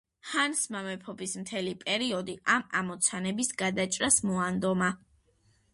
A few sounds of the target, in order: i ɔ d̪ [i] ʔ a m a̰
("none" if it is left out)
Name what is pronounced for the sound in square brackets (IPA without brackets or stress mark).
i